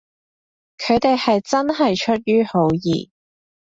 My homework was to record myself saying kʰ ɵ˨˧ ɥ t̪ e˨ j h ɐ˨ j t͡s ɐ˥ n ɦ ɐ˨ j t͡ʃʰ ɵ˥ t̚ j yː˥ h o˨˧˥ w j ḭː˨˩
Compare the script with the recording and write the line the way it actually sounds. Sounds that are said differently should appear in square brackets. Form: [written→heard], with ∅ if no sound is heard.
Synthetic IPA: kʰ ɵ˨˧ ɥ t̪ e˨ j h ɐ˨ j t͡s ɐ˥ n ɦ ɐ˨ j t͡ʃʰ ɵ˥ t̚ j yː˥ h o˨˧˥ w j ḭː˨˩